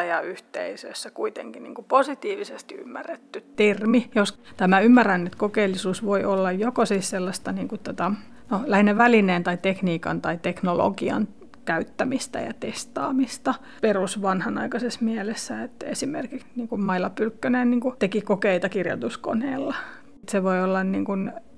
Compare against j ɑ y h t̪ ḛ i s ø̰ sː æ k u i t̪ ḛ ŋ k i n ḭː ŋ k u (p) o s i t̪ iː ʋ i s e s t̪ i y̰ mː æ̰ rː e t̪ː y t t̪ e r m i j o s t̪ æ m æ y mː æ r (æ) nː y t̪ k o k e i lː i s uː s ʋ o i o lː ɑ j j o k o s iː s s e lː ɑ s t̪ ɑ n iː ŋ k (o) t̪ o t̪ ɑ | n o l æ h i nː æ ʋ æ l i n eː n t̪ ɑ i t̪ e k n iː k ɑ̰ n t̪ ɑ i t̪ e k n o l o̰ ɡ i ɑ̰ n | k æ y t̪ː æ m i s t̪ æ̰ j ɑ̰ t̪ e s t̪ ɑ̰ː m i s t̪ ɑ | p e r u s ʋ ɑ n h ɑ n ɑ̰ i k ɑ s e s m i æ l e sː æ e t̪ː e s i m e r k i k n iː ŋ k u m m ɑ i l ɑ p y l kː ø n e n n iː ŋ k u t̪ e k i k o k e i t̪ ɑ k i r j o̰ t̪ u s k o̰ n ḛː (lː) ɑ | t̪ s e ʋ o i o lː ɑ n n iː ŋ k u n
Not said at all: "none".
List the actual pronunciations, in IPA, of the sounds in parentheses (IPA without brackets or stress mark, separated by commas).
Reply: p, æ, u, lː